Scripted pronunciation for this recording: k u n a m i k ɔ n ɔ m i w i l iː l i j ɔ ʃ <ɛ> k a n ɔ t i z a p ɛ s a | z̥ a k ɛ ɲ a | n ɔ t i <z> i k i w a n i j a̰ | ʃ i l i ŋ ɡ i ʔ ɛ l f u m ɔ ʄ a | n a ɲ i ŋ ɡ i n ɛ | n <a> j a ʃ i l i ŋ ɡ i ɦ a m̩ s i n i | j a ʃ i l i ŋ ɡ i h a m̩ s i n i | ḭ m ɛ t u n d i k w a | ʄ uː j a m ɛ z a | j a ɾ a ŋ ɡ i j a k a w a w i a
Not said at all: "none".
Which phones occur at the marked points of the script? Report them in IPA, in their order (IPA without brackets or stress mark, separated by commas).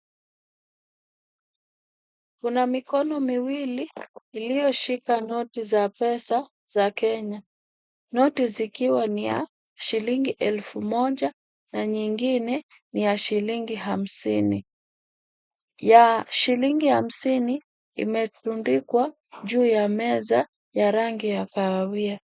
i, z, i